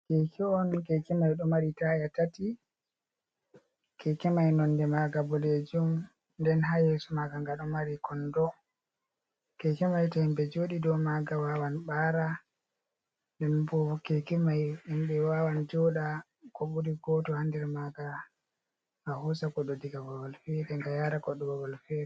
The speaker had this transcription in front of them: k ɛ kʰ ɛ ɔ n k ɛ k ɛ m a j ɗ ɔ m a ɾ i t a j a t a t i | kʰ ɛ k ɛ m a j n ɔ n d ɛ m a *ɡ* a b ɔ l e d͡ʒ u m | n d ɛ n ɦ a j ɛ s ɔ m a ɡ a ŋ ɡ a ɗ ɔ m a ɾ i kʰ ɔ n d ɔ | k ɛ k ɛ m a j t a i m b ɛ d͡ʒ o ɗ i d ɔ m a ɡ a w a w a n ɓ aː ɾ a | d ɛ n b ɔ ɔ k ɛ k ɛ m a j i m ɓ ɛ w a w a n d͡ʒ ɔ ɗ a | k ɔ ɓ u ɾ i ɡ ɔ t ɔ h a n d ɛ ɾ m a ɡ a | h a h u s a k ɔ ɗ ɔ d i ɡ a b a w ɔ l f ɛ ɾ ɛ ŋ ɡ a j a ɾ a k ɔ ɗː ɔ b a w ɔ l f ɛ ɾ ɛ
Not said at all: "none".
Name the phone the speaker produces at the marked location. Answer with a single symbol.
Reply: ɡ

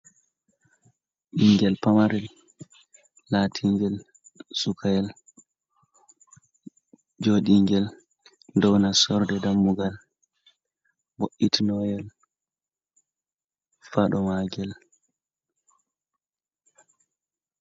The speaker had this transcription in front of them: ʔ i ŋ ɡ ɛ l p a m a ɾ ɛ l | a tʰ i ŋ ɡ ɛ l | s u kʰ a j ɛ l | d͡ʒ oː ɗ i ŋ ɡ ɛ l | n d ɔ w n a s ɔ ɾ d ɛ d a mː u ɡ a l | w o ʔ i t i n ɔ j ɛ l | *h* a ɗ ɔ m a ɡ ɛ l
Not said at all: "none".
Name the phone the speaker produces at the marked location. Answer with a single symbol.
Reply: f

